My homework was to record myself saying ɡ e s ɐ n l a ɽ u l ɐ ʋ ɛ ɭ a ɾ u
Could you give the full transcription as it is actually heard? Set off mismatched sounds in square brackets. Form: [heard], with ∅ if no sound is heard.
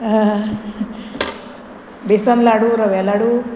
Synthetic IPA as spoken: [b] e s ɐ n l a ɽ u [ɾ] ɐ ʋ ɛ [l] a [ɽ] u